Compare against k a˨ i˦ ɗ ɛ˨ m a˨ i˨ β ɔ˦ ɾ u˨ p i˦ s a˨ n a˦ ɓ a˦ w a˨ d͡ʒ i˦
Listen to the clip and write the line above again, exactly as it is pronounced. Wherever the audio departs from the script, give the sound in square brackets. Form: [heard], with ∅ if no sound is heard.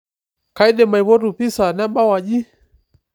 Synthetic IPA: k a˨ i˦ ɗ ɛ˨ m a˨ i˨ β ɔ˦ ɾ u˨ p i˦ s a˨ n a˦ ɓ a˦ w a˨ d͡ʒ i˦